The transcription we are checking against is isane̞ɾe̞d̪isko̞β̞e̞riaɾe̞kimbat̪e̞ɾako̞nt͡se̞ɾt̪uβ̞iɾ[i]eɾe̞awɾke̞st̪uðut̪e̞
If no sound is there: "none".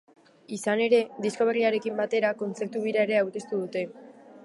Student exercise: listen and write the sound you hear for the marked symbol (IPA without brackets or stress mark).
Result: a